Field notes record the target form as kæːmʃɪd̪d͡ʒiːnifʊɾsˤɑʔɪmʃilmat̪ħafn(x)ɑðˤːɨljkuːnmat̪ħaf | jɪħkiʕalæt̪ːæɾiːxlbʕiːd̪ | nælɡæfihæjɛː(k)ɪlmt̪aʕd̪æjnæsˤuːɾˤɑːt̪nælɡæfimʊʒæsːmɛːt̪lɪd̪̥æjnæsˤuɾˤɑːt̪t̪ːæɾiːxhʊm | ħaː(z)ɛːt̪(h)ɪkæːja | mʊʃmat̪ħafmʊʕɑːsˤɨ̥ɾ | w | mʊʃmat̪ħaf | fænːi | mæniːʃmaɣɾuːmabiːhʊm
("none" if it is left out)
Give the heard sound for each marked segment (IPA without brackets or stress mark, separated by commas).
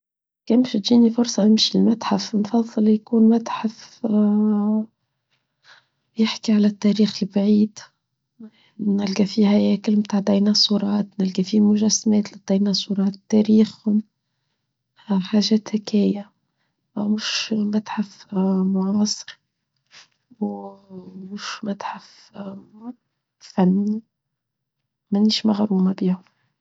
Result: f, k, ʒ, h